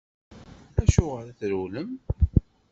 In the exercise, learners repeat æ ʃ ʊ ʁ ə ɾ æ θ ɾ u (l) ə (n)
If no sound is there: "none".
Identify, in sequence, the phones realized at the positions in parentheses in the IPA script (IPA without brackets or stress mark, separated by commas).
l, m